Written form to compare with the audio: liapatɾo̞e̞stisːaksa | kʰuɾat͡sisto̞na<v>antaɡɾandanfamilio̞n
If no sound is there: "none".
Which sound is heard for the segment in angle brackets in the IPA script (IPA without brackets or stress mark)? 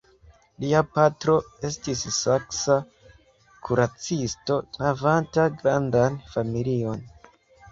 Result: v